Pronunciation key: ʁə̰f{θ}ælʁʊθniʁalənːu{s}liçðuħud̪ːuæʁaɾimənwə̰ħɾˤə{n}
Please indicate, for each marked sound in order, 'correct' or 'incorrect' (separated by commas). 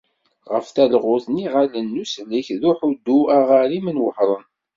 correct, correct, correct